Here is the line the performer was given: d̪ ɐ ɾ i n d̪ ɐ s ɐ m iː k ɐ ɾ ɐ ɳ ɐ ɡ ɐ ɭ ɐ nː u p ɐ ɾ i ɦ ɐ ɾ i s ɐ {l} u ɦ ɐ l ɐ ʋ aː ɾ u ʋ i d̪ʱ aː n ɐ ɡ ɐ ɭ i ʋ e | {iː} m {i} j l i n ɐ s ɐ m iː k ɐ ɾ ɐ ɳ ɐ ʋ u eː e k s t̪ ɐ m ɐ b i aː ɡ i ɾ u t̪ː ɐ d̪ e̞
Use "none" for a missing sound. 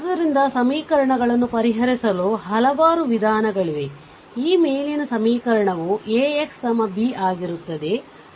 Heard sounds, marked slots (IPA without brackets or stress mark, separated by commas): l, iː, e